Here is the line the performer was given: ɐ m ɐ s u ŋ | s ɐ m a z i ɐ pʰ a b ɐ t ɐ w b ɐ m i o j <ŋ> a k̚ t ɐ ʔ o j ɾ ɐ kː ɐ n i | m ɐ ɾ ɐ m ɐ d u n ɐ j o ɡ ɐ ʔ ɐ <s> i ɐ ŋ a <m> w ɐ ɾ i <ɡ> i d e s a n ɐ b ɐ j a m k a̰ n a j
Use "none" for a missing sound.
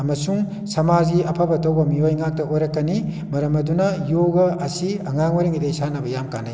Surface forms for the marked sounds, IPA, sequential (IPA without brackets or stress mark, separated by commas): ŋ, s, ŋ, ŋ